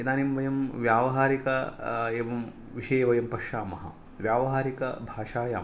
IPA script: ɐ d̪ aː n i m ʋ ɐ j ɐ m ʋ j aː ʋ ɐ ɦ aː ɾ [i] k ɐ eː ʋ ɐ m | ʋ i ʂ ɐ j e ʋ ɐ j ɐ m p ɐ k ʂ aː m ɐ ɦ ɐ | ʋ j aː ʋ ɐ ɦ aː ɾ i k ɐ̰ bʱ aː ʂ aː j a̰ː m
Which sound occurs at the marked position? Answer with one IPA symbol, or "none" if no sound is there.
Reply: i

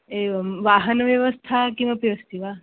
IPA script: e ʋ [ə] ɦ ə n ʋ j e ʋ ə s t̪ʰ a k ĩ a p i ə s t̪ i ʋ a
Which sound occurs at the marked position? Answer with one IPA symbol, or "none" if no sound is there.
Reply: a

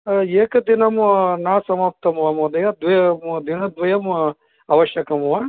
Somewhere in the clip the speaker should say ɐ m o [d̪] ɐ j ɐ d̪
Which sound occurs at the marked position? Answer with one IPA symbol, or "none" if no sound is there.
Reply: d̪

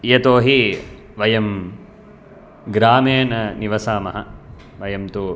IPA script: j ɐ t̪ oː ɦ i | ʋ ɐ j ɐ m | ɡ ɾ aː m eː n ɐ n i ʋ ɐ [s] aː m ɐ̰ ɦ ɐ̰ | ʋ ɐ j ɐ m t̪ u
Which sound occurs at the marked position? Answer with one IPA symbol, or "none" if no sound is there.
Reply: s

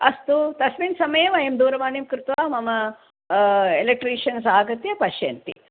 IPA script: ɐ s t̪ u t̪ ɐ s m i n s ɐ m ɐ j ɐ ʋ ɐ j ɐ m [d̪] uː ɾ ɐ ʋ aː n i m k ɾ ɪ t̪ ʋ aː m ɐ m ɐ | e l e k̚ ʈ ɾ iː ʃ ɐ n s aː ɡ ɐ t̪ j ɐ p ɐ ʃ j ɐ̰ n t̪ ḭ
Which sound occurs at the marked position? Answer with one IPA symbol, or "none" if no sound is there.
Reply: d̪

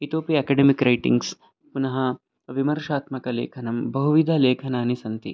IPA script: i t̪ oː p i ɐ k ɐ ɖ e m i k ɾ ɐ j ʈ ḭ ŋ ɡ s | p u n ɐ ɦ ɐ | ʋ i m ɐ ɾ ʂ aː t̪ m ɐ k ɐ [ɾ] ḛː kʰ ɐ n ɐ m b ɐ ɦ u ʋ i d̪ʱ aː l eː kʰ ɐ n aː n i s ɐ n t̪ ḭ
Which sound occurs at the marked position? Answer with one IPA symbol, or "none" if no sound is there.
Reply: l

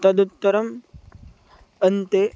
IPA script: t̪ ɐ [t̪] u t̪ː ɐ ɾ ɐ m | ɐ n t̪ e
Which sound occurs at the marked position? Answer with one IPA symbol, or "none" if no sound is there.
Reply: d̪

